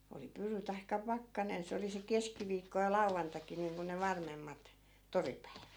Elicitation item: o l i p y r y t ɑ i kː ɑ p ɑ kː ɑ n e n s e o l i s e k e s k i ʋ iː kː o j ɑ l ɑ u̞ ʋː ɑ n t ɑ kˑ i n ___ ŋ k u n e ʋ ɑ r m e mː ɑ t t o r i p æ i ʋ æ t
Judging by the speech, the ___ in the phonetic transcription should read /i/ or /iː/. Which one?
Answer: iː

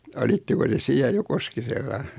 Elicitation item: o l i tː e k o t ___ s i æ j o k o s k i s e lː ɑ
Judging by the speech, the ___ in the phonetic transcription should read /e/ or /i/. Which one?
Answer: e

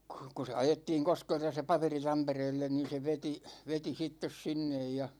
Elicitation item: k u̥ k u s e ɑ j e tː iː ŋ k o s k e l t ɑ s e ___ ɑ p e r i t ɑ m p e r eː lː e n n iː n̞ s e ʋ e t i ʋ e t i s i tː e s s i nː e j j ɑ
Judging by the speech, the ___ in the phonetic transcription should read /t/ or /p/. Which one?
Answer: p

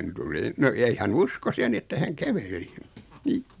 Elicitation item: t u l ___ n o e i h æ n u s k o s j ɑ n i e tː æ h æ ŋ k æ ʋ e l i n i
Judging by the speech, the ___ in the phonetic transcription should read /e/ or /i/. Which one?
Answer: i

